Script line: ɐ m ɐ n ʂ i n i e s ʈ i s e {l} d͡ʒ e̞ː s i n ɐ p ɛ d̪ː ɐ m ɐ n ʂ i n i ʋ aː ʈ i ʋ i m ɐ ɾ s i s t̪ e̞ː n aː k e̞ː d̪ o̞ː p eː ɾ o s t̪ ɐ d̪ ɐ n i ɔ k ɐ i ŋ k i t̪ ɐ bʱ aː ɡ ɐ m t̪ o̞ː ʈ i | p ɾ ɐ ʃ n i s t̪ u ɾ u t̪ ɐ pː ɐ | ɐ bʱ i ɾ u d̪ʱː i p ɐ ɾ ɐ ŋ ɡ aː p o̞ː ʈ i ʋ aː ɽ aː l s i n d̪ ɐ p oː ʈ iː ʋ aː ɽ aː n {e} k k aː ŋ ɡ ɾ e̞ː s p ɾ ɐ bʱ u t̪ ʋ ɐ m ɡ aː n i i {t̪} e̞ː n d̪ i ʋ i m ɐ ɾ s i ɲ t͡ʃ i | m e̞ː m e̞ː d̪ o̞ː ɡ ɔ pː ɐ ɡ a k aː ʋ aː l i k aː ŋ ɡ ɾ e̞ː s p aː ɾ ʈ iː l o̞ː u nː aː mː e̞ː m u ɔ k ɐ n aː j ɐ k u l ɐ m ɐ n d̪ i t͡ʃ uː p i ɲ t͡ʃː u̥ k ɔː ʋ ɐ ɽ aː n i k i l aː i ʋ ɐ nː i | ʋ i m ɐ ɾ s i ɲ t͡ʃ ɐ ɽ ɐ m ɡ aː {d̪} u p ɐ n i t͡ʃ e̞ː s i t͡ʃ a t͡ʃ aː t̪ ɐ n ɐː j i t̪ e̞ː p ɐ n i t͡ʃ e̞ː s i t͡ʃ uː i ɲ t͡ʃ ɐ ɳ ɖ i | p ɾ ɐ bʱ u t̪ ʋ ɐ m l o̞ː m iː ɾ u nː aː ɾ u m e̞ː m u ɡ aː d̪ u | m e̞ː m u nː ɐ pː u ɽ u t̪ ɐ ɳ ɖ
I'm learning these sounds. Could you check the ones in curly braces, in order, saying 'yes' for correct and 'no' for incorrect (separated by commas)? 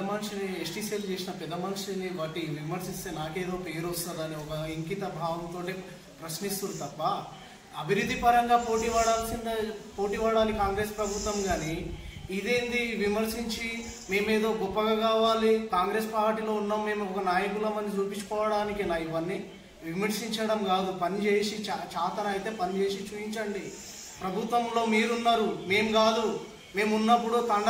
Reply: yes, no, no, yes